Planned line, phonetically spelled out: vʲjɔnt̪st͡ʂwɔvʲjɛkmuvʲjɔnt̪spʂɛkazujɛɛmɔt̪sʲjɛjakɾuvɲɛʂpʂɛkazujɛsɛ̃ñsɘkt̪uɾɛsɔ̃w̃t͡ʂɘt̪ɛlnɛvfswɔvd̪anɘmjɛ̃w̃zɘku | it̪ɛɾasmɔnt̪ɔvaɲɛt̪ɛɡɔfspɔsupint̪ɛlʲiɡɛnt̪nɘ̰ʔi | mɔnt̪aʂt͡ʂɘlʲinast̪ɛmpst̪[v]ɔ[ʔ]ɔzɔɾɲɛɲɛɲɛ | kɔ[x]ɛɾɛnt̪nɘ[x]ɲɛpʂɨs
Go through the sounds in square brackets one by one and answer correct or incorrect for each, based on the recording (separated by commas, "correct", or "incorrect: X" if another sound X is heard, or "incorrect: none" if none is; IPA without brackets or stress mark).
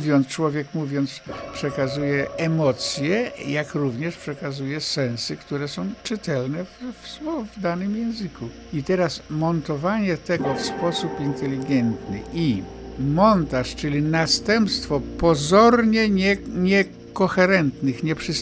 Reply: incorrect: f, incorrect: p, correct, correct